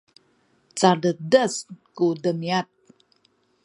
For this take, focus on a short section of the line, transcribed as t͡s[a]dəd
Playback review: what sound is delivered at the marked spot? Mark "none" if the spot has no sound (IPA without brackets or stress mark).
a